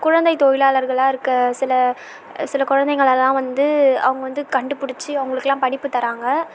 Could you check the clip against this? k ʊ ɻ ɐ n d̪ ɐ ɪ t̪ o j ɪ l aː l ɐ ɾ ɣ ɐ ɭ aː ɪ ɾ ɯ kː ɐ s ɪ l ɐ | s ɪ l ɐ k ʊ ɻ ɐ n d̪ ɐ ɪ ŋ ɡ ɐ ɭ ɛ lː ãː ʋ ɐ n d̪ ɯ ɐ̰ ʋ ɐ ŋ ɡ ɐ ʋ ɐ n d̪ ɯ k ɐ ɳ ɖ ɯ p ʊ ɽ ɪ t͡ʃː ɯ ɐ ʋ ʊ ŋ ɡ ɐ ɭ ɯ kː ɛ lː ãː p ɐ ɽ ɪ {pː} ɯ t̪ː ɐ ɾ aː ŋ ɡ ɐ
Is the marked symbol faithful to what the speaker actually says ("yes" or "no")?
yes